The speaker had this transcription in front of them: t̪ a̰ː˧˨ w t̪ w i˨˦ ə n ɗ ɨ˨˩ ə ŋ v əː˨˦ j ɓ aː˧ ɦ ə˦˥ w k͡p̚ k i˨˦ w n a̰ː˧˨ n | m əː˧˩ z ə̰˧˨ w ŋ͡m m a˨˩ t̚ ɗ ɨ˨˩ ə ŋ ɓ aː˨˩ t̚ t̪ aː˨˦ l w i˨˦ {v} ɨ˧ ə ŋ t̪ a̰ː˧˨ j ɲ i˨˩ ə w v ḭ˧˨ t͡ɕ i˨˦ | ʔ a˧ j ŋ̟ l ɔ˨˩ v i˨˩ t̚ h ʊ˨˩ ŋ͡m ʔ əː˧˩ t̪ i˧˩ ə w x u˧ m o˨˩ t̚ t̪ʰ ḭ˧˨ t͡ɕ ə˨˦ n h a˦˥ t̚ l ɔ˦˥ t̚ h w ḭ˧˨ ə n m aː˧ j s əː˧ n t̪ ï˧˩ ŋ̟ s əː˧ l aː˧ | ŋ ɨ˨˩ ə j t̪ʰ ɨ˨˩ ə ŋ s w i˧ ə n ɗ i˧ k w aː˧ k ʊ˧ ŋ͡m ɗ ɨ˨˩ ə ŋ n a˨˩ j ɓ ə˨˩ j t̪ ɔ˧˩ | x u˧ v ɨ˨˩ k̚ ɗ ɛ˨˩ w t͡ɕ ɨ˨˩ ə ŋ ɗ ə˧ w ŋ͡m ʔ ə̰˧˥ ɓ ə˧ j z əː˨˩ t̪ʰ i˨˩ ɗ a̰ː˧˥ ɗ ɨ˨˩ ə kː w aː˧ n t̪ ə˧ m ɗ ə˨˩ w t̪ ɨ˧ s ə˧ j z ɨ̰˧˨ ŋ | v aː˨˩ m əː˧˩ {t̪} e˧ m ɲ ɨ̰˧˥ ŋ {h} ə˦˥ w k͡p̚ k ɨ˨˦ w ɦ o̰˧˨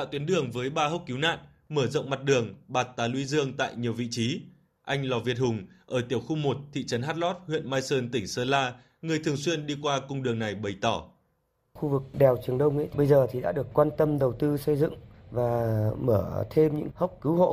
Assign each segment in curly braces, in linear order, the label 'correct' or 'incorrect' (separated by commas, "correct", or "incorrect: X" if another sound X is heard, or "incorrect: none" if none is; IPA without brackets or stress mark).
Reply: incorrect: z, incorrect: t̪ʰ, correct